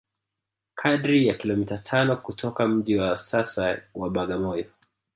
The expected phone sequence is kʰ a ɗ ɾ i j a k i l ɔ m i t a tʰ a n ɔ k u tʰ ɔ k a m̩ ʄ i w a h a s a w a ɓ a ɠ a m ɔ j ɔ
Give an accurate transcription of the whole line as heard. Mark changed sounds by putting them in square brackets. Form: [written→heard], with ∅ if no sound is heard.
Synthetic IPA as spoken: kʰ a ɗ ɾ i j a k i l ɔ m i t a tʰ a n ɔ k u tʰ ɔ k a m̩ ʄ i w a [h→s] a s a w a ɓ a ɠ a m ɔ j ɔ